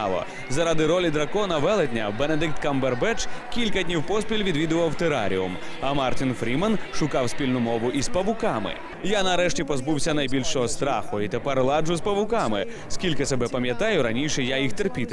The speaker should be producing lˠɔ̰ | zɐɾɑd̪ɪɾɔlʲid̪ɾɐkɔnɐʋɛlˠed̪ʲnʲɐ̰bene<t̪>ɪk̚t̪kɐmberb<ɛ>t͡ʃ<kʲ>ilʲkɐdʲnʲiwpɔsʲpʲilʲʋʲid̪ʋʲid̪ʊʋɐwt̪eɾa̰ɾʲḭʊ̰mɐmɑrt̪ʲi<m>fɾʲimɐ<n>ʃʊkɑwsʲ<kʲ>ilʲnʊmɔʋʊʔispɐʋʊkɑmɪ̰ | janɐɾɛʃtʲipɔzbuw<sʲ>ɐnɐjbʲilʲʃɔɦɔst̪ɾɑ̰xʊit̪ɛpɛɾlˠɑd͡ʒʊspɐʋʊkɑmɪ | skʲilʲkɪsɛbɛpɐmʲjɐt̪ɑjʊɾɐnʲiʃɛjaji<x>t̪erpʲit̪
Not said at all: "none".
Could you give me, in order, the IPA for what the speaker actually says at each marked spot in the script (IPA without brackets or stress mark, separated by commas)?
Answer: d̪, ɛ, kʲ, n, n, pʲ, sʲ, x